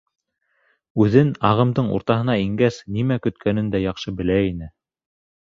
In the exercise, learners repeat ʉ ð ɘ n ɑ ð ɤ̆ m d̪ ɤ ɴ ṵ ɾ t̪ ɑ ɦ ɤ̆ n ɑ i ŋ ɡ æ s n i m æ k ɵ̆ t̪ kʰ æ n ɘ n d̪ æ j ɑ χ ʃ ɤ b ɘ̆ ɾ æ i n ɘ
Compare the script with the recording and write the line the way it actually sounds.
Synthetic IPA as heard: ʉ ð ɘ n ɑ ʁ ɤ̆ m d̪ ɤ ɴ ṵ ɾ t̪ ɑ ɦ ɤ̆ n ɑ i ŋ ɡ æ s n i m æ k ɵ̆ t̪ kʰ æ n ɘ n d̪ æ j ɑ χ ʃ ɤ b ɘ̆ l æ i n ɘ